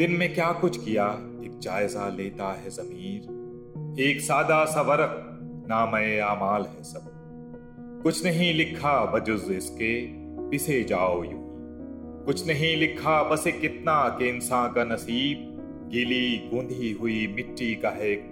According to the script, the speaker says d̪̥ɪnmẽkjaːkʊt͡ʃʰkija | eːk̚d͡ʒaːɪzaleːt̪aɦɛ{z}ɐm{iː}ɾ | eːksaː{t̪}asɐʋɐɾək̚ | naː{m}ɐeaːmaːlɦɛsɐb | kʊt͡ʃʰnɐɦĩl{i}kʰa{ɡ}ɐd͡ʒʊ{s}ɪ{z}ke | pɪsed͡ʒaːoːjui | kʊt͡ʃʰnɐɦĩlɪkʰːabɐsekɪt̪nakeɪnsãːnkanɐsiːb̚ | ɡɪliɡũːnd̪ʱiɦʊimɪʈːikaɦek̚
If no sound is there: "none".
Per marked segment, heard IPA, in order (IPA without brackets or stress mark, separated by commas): z, iː, d̪, m, ɪ, b, z, s